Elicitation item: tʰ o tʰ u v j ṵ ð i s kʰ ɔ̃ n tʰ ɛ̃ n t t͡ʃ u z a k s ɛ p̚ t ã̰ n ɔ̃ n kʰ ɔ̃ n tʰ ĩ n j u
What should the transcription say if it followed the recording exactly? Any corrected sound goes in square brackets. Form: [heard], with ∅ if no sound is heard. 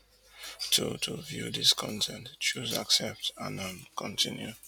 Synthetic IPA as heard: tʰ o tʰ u v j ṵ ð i s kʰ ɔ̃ n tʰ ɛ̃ n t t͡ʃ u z a k s ɛ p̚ t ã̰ n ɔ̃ n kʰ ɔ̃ n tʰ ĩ n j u